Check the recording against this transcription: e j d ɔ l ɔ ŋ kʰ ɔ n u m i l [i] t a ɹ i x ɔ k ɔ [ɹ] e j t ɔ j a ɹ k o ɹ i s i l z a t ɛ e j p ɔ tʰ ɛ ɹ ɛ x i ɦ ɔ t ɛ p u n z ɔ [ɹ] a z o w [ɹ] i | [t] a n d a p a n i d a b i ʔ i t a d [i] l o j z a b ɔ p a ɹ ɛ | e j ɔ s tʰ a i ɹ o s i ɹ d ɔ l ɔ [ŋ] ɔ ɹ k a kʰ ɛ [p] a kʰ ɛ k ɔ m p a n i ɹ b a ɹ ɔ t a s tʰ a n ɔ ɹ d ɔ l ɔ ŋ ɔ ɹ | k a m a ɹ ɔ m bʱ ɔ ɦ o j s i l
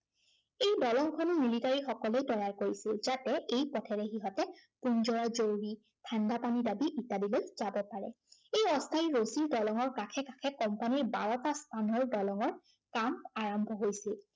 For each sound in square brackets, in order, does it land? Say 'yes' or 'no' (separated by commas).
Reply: yes, no, yes, yes, no, yes, yes, no